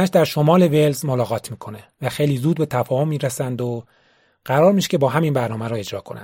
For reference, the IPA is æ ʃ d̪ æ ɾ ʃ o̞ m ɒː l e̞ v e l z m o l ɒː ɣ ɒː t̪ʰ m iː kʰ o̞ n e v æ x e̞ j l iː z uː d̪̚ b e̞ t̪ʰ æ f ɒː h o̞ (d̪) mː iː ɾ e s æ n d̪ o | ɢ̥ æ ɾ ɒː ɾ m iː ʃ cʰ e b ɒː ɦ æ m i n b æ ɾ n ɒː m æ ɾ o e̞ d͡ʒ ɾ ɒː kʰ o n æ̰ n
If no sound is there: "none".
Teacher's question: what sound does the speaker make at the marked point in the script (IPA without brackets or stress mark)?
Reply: none